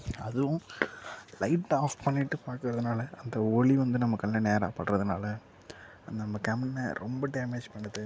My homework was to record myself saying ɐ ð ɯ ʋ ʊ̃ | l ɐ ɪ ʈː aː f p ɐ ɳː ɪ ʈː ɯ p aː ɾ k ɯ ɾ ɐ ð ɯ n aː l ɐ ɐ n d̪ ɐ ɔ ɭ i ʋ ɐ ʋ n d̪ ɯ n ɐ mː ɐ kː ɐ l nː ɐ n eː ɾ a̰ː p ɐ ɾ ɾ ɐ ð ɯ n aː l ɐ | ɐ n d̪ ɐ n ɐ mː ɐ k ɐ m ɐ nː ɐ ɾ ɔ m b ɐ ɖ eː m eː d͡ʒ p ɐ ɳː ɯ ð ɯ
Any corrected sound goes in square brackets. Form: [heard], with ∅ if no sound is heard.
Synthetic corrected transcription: ɐ ð ɯ ʋ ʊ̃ | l ɐ ɪ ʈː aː f p ɐ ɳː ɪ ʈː ɯ p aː ɾ k ɯ ɾ ɐ ð ɯ n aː l ɐ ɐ n d̪ ɐ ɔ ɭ i ʋ ɐ [∅] n d̪ ɯ n ɐ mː ɐ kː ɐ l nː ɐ n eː ɾ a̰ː p ɐ [ɽ] ɾ ɐ ð ɯ n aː l ɐ | ɐ n d̪ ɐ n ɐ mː ɐ k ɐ m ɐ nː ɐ ɾ ɔ m b ɐ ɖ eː m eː d͡ʒ p ɐ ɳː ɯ ð ɯ